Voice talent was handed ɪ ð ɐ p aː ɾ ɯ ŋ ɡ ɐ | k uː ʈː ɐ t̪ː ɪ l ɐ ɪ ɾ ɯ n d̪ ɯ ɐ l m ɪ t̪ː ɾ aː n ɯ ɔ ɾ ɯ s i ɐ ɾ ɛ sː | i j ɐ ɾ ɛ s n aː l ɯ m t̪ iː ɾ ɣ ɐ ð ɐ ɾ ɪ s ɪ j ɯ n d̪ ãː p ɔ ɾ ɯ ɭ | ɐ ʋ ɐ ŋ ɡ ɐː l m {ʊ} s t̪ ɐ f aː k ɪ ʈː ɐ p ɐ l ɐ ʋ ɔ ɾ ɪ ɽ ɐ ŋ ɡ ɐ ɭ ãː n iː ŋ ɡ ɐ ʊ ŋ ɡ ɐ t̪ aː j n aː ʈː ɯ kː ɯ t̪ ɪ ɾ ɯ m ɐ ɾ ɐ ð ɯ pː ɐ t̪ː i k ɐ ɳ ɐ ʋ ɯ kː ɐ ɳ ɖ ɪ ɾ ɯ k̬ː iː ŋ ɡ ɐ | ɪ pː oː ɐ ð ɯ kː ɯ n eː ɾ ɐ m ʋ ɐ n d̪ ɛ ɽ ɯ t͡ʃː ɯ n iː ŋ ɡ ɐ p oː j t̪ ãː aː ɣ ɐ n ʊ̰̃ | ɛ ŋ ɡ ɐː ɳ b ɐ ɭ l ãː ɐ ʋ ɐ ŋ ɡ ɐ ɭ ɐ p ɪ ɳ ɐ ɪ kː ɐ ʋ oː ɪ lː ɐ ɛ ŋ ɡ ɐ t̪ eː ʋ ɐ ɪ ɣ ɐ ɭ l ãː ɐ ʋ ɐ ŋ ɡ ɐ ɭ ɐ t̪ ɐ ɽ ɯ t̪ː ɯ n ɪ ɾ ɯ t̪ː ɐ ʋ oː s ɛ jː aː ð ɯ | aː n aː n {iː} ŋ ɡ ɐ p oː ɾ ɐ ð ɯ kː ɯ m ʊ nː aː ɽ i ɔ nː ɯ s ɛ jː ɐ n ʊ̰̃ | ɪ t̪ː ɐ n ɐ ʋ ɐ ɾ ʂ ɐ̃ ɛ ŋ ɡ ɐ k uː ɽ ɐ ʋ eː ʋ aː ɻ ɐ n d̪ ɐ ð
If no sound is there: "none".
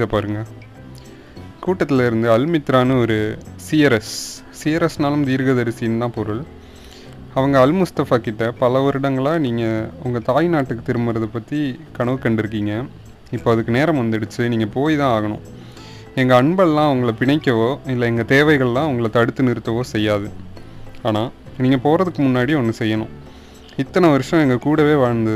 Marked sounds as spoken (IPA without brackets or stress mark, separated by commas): ʊ, iː